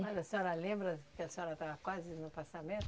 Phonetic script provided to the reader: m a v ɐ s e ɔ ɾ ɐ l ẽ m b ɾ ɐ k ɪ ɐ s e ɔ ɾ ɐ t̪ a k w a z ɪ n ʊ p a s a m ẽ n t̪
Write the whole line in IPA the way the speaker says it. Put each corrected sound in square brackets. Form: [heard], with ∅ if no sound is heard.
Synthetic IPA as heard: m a [z] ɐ s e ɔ ɾ ɐ l ẽ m b ɾ ɐ k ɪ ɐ s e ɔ ɾ ɐ t̪ a k w a z ɪ n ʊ p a s a m ẽ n t̪

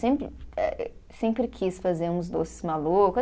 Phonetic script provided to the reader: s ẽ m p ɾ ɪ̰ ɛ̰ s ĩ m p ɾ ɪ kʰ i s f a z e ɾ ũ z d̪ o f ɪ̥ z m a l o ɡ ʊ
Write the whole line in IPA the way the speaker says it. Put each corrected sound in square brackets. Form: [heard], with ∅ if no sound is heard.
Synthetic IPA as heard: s ẽ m p ɾ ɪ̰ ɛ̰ s [ẽ] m p ɾ ɪ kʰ i s f a z e ɾ ũ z d̪ o [s] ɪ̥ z m a l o [k] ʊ

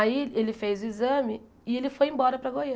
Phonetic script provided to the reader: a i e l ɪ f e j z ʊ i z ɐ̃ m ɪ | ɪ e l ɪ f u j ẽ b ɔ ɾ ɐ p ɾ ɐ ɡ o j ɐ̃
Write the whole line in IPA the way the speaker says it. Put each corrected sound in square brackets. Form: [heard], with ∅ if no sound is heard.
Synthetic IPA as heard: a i e l ɪ f e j z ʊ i z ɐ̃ m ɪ | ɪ e l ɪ f [o] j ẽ b ɔ ɾ ɐ p ɾ ɐ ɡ o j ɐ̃

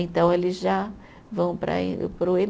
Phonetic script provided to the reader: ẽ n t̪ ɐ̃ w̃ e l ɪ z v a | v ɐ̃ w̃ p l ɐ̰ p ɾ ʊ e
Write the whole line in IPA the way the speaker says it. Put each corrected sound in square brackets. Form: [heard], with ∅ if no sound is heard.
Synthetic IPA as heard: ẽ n t̪ ɐ̃ w̃ e l ɪ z [ʒ] a | v ɐ̃ w̃ p [ɾ] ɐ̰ p ɾ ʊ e

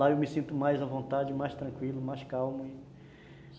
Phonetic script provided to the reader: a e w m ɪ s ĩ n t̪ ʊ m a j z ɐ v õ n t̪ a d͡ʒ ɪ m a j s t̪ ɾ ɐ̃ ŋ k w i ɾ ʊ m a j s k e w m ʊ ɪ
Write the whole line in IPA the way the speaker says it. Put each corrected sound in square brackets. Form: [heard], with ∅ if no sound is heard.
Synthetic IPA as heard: a e w m ɪ s ĩ n t̪ ʊ m a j z ɐ v õ n t̪ a d͡ʒ ɪ m a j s t̪ ɾ ɐ̃ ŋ k w i [l] ʊ m a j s k [a] w m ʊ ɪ

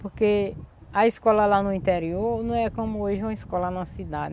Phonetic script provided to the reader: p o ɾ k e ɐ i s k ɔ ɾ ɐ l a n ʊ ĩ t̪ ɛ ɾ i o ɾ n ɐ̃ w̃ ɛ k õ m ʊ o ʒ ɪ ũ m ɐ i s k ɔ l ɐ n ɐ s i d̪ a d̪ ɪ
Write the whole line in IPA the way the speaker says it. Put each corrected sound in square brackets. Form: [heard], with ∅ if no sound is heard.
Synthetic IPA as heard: p o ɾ k e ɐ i s k ɔ [l] ɐ l a n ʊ ĩ t̪ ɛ ɾ i o ɾ n ɐ̃ w̃ ɛ k õ m ʊ o ʒ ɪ ũ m ɐ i s k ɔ l ɐ n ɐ s i d̪ a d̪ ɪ

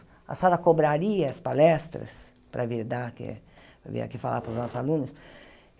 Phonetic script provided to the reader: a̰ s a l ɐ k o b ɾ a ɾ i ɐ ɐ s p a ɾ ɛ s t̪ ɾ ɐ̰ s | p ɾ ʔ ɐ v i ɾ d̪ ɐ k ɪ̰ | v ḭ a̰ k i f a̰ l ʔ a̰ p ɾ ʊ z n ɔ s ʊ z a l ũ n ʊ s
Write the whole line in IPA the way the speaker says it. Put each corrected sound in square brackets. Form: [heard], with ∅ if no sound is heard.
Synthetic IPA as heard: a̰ s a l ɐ k o b ɾ a ɾ i ɐ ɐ s p a [l] ɛ s t̪ ɾ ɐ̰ s | p ɾ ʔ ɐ v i ɾ d̪ [a] k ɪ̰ | v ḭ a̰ k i f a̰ l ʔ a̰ p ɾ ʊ z n ɔ s ʊ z a l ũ n ʊ s

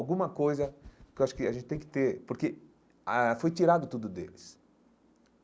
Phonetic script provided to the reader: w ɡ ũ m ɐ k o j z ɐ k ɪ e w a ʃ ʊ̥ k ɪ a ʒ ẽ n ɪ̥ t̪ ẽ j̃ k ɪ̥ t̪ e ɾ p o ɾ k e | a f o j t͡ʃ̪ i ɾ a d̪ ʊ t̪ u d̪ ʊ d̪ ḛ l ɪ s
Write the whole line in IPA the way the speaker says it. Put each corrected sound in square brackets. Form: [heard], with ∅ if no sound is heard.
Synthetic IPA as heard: w ɡ ũ m ɐ k o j z ɐ k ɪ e w a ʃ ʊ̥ k ɪ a ʒ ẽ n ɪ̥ t̪ ẽ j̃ k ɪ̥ t̪ e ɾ p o ɾ k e | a f o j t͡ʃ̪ i ɾ a d̪ ʊ t̪ u d̪ ʊ d̪ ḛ l ɪ s

